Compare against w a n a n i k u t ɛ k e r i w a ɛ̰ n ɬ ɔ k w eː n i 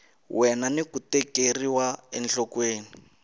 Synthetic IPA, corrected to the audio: w ɛ n a n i k u t ɛ k e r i w a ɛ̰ n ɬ ɔ k w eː n i